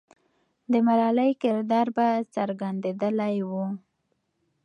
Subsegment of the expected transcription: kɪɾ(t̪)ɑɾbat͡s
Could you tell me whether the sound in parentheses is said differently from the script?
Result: yes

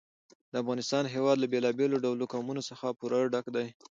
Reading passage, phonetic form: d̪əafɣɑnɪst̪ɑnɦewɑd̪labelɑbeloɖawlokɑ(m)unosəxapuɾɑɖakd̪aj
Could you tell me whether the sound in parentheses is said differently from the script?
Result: no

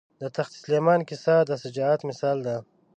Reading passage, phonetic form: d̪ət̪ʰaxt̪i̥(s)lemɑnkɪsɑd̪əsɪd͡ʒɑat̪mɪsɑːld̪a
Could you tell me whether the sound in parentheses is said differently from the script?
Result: no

